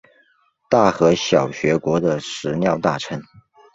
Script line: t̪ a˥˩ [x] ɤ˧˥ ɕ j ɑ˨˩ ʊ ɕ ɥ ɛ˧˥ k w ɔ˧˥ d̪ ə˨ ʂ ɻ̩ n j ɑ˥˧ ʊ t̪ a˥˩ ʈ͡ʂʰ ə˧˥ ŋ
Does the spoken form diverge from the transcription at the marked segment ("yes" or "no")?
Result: no